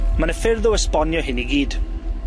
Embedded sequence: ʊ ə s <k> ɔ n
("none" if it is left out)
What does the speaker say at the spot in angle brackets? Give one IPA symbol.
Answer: p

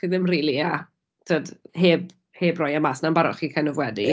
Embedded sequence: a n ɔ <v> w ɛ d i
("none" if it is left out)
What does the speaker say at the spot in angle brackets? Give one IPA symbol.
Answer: v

